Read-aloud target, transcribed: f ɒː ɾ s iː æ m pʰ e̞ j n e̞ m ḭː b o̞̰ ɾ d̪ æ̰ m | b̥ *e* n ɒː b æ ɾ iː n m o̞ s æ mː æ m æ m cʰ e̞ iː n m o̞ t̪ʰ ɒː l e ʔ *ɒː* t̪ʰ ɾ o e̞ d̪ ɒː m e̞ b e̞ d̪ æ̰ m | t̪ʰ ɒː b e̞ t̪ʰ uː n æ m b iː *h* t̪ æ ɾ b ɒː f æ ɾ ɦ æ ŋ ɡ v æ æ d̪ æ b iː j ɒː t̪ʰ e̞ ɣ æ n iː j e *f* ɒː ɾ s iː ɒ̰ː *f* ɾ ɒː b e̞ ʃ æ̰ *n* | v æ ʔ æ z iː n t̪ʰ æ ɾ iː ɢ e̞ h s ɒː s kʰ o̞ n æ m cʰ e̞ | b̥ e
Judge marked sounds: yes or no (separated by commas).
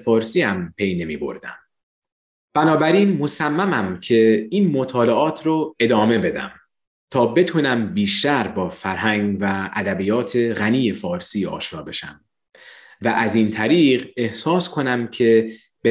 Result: no, yes, no, yes, no, no